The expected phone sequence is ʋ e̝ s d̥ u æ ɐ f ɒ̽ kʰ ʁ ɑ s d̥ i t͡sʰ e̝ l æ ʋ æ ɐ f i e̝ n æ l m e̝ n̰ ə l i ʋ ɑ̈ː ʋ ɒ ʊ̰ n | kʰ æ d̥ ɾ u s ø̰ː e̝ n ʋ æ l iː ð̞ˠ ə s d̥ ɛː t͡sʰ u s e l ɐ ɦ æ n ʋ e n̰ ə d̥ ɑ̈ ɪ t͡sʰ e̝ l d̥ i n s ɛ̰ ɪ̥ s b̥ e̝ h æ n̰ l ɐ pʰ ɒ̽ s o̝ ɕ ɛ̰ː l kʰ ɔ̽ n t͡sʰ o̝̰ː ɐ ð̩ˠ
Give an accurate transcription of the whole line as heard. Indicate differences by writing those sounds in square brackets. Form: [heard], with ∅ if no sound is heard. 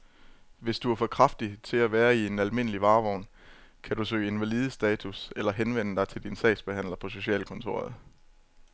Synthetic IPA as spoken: ʋ e̝ s d̥ u æ ɐ f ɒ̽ kʰ ʁ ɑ [f] d̥ i t͡sʰ e̝ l æ ʋ [æː] ɐ [∅] i e̝ n æ l m e̝ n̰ ə l i ʋ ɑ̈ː ʋ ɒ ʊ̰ n | kʰ æ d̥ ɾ u s ø̰ː e̝ n ʋ æ l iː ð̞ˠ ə s d̥ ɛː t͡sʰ u s e l ɐ ɦ [e] n ʋ e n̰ ə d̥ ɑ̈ ɪ t͡sʰ e̝ l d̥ i n s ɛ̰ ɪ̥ s b̥ e̝ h æ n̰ l ɐ pʰ ɒ̽ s o̝ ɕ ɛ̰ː l kʰ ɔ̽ n t͡sʰ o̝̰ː ɐ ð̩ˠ